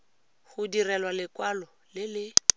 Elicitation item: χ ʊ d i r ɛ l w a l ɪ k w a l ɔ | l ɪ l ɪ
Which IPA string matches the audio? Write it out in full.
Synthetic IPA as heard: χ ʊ d i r ɛ l w a l ɪ k w a l ɔ | l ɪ l ɪ